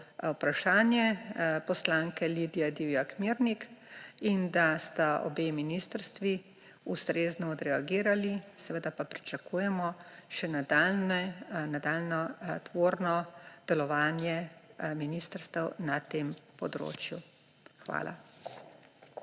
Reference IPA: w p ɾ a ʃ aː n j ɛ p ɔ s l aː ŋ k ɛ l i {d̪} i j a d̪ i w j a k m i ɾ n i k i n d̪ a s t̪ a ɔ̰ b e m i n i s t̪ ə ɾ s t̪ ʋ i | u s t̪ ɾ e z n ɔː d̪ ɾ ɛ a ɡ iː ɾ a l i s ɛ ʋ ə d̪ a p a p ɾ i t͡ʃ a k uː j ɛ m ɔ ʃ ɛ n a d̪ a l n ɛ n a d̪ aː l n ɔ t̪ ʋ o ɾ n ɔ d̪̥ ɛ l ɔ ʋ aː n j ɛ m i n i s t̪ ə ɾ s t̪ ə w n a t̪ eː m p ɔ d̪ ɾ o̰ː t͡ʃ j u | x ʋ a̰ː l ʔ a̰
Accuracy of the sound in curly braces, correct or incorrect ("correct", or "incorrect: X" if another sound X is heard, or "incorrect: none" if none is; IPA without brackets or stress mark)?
correct